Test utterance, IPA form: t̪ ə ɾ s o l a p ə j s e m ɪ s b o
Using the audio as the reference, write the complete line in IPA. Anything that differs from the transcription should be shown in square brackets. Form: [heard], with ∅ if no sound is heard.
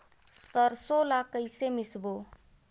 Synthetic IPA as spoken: t̪ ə ɾ s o l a [k] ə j s e m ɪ s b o